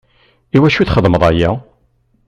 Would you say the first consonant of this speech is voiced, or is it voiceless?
voiced